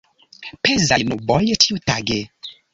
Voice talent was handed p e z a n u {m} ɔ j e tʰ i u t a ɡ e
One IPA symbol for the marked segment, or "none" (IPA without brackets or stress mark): b